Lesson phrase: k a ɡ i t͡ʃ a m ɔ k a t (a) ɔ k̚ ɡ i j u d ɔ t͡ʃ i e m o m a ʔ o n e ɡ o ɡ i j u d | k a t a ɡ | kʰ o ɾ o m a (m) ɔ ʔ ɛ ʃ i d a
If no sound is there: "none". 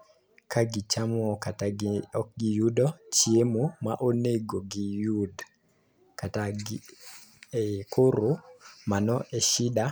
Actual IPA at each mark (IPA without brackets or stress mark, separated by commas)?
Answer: a, n